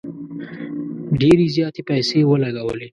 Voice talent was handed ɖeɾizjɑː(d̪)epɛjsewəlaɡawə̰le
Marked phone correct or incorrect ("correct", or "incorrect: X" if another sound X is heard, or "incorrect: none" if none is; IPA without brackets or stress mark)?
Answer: incorrect: t̪